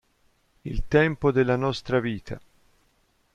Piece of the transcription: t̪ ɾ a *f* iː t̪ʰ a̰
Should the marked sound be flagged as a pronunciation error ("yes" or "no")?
yes